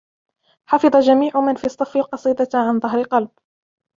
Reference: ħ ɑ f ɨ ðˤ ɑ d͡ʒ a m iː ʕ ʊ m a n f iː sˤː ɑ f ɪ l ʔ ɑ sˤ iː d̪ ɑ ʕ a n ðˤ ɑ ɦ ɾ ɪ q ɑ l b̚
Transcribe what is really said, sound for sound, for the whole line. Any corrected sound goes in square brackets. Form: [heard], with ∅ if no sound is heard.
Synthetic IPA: ħ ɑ f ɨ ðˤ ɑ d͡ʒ a m iː ʕ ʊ m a n f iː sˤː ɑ f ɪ l [q] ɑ sˤ iː d̪ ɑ ʕ a n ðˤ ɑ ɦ ɾ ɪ q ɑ l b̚